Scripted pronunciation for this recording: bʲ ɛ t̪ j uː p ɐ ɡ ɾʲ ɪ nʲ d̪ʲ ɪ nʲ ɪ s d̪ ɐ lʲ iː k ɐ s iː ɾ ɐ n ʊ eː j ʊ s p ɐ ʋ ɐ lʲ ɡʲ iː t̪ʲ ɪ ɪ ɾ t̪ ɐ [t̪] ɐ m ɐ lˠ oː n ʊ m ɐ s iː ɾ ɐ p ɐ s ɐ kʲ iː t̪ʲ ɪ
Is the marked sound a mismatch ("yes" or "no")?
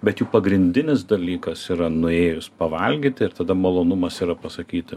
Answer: yes